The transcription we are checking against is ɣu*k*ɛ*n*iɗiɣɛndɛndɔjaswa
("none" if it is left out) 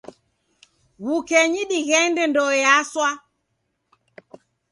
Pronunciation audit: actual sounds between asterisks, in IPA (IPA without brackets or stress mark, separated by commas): k, ɲ